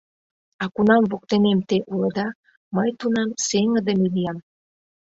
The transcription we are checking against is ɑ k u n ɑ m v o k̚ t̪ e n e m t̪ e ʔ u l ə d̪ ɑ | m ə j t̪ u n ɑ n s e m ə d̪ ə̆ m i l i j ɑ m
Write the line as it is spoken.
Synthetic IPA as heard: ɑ k u n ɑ m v o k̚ t̪ e n e m t̪ e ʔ u l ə d̪ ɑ | m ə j t̪ u n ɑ m s e ŋ ə d̪ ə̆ m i l i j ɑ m